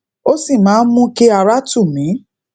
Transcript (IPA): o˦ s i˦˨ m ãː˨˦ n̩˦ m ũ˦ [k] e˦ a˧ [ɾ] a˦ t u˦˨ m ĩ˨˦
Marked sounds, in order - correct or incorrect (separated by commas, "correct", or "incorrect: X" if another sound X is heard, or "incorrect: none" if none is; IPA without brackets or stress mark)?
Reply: correct, correct